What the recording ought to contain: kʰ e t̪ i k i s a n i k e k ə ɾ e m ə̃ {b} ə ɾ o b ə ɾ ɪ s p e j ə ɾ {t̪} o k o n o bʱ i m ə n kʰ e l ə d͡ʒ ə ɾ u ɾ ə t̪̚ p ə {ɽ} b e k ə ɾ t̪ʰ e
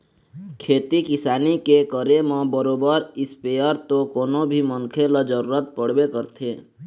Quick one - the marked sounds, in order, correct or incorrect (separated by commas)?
correct, correct, correct